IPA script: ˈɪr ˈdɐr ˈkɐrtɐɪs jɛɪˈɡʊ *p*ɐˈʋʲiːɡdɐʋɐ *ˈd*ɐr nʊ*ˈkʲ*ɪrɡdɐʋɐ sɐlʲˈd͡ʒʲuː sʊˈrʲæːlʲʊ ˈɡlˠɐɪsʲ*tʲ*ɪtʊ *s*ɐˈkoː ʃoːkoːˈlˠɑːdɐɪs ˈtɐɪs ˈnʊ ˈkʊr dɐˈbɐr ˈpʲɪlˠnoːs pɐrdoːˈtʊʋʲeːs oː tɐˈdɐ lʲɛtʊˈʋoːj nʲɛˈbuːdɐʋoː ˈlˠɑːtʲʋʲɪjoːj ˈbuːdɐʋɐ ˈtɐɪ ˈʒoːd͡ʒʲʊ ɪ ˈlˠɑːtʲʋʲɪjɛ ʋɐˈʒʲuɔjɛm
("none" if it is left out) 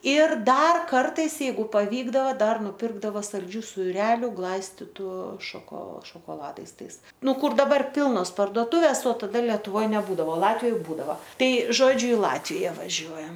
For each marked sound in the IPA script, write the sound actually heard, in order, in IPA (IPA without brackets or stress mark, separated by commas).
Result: p, d, pʲ, tʲ, ʃ